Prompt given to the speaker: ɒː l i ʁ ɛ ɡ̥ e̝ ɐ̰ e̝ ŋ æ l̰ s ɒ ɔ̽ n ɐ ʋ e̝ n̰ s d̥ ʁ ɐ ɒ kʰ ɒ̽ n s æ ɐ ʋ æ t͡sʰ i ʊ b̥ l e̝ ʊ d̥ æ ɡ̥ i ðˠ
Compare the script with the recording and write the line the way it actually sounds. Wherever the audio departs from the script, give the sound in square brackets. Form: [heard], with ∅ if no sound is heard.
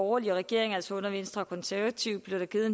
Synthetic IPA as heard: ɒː l i ʁ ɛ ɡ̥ e̝ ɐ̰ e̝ ŋ æ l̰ s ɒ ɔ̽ n ɐ ʋ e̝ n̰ s d̥ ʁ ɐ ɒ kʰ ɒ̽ n s æ ɐ ʋ æ t͡sʰ i ʊ b̥ l e̝ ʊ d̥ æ ɡ̥ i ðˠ